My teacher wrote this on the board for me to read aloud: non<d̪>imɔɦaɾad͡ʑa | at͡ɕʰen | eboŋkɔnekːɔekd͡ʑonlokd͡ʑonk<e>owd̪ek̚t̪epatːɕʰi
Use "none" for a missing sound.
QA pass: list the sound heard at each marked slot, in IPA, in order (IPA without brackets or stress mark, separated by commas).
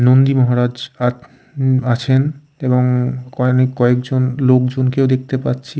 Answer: d̪, e